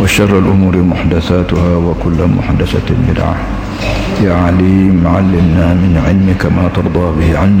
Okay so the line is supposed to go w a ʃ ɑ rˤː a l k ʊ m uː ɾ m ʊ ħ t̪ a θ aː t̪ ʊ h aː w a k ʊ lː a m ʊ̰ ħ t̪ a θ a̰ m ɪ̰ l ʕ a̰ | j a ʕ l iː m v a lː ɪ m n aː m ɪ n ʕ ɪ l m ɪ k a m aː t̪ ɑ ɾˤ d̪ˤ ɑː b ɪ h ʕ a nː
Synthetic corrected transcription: w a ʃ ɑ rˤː a l ʔ ʊ m uː ɾ m ʊ ħ d̪ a θ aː t̪ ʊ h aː w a k ʊ lː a m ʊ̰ ħ d̪ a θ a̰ m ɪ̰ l ʕ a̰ | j a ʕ l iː m ʕ a lː ɪ m n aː m ɪ n ʕ ɪ l m ɪ k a m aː t̪ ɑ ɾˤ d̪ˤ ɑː b ɪ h ʕ a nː